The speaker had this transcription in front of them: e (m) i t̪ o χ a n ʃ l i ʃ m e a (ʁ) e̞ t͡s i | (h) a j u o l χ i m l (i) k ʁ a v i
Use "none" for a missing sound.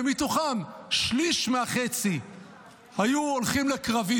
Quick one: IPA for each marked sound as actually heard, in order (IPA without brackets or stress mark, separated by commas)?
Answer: m, χ, h, e